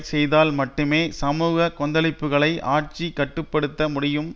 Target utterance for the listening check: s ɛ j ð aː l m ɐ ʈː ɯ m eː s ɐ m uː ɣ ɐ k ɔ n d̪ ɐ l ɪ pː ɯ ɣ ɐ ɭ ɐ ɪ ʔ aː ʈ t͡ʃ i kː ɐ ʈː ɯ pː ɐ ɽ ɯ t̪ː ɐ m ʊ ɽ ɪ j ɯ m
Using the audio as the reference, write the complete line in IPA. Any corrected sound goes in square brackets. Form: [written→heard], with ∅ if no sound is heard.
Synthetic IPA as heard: s ɛ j ð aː l m ɐ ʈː ɯ m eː s ɐ m uː ɣ ɐ k ɔ n d̪ ɐ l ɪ pː ɯ ɣ ɐ ɭ ɐ ɪ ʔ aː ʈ t͡ʃ i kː ɐ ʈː ɯ pː ɐ ɽ ɯ t̪ː ɐ m ʊ ɽ ɪ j ɯ m